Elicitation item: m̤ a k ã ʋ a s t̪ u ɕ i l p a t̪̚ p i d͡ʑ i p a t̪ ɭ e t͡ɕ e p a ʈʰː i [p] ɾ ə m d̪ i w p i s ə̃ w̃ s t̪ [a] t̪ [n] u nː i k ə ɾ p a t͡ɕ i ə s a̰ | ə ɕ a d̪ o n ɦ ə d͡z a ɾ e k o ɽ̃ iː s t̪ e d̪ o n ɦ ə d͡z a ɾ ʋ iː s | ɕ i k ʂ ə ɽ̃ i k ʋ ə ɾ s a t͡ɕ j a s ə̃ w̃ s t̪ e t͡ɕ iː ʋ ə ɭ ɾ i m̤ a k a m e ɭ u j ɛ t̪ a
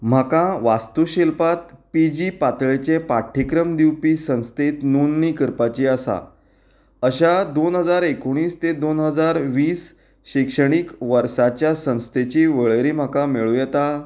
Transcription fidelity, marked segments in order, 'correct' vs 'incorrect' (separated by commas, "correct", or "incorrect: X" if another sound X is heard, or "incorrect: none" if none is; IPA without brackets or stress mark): incorrect: k, incorrect: e, correct